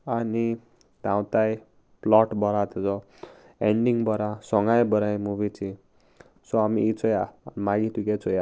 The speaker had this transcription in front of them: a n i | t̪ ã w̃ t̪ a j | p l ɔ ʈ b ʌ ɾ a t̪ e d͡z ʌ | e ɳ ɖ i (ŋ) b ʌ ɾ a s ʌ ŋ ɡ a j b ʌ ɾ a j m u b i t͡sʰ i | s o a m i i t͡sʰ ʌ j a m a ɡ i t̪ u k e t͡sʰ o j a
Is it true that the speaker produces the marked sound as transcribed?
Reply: yes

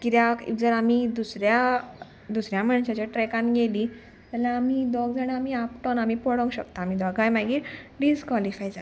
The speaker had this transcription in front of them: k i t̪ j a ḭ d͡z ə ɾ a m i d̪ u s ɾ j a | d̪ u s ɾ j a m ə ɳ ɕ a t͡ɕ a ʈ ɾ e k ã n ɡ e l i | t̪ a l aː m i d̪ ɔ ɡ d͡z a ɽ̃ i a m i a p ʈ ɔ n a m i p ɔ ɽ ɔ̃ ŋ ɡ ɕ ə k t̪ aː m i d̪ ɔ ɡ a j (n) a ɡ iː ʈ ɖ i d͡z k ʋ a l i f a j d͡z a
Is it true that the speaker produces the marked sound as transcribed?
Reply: no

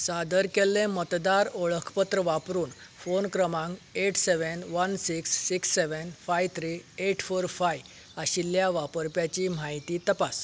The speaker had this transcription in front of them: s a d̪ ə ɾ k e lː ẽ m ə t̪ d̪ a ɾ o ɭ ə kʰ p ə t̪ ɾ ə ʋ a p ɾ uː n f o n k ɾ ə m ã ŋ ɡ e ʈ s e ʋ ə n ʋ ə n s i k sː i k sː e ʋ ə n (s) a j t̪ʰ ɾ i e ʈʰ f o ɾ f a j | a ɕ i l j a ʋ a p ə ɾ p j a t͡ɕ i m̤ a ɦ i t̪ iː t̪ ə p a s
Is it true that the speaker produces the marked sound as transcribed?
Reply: no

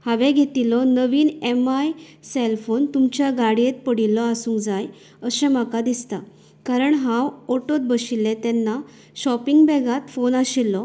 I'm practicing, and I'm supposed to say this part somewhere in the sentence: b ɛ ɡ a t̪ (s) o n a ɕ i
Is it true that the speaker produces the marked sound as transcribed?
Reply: no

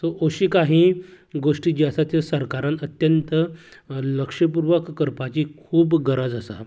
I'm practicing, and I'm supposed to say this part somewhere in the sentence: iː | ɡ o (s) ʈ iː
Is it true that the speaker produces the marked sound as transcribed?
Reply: no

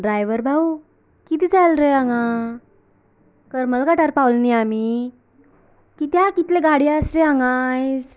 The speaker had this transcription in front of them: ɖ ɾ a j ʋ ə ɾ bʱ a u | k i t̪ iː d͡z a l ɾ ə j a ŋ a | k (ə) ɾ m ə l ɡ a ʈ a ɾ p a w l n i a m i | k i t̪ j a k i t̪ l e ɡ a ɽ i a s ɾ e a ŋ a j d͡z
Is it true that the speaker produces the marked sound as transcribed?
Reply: yes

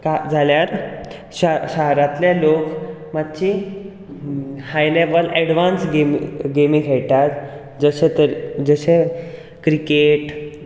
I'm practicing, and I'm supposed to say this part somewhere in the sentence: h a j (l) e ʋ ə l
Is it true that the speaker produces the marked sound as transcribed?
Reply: yes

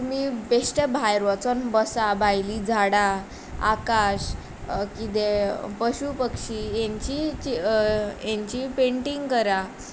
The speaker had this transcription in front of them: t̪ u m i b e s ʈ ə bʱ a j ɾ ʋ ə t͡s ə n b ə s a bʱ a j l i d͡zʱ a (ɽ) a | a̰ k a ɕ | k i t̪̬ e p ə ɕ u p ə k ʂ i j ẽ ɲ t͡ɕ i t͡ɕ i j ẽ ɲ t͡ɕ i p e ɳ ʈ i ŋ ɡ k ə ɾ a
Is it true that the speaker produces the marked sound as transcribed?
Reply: yes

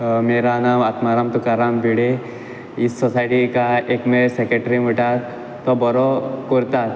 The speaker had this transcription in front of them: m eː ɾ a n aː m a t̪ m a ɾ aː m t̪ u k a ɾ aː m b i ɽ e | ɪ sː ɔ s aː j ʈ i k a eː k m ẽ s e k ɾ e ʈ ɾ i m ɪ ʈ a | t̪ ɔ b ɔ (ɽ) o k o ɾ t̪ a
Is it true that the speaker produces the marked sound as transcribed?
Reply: no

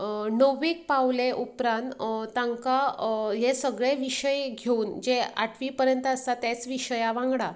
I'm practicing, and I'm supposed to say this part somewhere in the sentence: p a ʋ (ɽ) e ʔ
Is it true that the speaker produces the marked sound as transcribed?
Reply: no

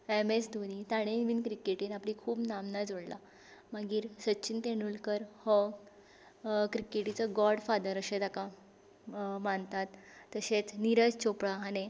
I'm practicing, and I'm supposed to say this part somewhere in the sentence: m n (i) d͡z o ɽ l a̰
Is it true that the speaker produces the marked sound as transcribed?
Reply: no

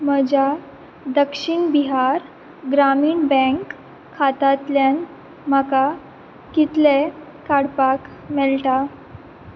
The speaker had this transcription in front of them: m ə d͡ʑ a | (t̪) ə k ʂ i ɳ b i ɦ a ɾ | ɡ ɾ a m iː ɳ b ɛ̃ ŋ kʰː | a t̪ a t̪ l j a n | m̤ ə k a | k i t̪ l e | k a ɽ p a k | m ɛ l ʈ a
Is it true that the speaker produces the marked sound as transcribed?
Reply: no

